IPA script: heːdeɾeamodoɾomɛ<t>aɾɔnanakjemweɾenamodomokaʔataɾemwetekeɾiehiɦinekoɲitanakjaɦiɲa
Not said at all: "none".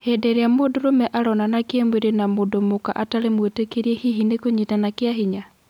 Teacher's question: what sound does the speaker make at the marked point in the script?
ʔ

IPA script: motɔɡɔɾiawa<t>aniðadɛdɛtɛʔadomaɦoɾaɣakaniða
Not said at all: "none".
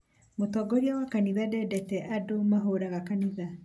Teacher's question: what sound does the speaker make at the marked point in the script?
k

